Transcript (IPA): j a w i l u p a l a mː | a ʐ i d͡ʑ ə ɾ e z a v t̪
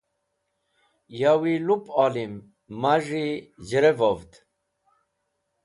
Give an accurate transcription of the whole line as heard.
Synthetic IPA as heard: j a w i l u p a l i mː | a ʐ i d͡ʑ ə ɾ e v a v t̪